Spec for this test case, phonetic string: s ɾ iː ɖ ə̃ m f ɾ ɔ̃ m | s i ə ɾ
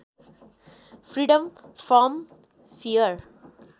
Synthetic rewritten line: f ɾ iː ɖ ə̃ m f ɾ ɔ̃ m | f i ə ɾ